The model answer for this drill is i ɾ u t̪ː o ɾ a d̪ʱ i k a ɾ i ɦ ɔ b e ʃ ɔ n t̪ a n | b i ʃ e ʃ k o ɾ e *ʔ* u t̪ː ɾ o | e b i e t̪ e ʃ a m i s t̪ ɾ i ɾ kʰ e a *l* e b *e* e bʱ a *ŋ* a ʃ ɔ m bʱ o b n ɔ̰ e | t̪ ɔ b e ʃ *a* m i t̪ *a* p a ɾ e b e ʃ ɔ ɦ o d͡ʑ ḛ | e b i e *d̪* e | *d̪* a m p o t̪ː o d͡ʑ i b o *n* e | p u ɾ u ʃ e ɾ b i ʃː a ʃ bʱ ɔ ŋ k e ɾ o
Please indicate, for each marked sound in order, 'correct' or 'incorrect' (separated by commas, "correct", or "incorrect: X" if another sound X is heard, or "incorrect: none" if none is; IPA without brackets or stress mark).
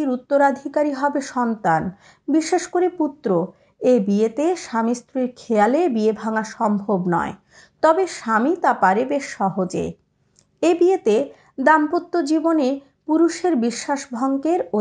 incorrect: p, correct, incorrect: i, correct, correct, correct, incorrect: t̪, correct, correct